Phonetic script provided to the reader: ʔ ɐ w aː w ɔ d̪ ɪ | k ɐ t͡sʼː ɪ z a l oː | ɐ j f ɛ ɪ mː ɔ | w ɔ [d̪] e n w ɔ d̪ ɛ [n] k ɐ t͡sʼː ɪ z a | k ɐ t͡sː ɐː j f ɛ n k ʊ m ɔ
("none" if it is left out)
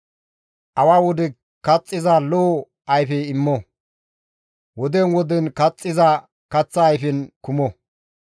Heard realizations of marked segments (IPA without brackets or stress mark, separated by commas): d̪, n